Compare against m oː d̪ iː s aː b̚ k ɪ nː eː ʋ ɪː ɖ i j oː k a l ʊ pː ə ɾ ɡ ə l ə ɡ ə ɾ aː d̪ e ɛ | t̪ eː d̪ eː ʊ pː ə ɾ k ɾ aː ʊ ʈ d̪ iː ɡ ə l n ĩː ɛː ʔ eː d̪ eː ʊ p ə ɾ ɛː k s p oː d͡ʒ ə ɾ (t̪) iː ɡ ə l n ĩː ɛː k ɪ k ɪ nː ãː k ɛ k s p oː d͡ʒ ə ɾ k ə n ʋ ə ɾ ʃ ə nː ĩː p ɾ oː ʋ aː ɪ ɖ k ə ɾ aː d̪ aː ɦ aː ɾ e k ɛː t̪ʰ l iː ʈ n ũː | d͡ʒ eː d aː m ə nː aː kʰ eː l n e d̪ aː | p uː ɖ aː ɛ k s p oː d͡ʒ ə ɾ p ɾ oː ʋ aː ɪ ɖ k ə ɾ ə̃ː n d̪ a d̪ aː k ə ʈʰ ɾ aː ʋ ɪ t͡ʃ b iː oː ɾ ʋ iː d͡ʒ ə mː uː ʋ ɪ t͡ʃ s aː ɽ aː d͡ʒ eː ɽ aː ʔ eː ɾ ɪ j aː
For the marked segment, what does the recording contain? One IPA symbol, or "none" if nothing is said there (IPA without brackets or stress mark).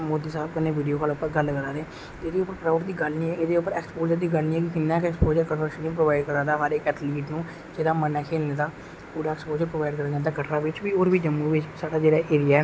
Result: d̪